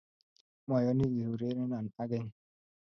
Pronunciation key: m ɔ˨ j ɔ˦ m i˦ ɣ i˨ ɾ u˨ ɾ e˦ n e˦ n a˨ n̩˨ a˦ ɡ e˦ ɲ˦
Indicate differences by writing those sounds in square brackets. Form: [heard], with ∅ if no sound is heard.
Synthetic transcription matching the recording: m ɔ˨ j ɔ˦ [n] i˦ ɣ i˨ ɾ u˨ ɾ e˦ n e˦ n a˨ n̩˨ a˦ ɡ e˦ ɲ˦

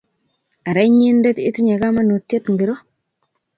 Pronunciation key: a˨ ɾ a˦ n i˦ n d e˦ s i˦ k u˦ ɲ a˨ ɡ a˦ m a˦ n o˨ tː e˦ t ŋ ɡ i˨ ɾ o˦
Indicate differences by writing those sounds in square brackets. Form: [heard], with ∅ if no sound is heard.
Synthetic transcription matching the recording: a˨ ɾ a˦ [ɲ] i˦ n d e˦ [t] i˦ [t] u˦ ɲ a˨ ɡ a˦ m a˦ n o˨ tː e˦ t ŋ ɡ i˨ ɾ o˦

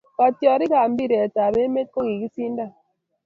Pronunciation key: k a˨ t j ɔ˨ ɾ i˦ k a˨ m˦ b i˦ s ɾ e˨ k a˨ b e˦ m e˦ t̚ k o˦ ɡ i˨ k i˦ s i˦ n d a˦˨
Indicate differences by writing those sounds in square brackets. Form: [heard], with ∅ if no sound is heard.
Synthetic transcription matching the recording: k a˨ t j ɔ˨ ɾ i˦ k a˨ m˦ b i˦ [∅] ɾ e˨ [t] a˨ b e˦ m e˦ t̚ k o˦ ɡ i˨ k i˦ s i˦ n d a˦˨

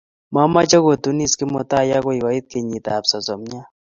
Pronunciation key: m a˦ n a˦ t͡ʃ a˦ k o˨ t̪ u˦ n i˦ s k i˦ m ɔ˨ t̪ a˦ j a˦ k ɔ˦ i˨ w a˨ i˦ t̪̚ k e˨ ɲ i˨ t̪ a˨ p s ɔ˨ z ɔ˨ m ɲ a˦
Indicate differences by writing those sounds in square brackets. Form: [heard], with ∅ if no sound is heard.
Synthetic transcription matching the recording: m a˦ [m] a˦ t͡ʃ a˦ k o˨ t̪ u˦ n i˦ s k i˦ m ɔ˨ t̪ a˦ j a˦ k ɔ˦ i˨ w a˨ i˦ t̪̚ k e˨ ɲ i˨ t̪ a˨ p s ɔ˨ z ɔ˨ m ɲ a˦

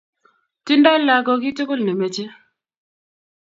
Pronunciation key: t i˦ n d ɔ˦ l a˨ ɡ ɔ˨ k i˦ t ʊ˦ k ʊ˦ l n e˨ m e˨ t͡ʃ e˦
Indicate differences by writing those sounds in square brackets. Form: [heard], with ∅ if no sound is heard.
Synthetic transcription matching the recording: t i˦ n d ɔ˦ l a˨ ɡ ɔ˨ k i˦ t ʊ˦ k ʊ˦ l n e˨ m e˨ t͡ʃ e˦

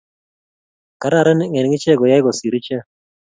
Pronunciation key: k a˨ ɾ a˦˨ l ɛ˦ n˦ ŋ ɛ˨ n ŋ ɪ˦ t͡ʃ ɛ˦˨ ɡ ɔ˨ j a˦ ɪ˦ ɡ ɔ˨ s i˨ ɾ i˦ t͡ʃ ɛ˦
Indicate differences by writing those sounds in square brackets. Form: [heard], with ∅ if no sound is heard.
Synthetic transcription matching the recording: k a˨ ɾ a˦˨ [ɾ] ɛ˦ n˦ ŋ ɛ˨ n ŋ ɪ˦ t͡ʃ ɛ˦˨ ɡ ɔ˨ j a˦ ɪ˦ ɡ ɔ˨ s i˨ ɾ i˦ t͡ʃ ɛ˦

